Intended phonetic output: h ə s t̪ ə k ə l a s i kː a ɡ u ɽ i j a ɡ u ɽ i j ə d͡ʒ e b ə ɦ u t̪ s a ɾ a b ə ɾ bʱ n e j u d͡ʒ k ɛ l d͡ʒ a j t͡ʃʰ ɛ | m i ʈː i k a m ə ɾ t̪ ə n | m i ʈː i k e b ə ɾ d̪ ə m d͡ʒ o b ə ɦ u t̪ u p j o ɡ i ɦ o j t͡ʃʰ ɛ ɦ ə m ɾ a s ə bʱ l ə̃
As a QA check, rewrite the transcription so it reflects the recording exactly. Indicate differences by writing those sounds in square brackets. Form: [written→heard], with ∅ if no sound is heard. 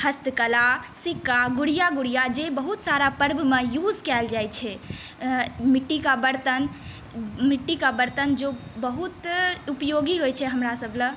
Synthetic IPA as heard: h ə s t̪ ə k ə l a s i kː a ɡ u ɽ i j a ɡ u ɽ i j [ə→a] d͡ʒ e b ə ɦ u t̪ s a ɾ a [b→p] ə ɾ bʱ [n→m] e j u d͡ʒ k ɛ l d͡ʒ a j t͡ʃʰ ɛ | m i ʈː i k a [m→b] ə ɾ t̪ ə n | m i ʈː i k [e→a] b ə ɾ [d̪→t̪] ə [m→n] d͡ʒ o b ə ɦ u t̪ u p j o ɡ i ɦ o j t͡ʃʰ ɛ ɦ ə m ɾ a s ə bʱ l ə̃